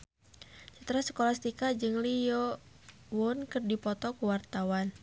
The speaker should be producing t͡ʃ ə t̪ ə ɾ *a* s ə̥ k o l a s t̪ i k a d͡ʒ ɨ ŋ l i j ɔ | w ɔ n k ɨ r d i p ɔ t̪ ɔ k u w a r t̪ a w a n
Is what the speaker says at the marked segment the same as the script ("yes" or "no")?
yes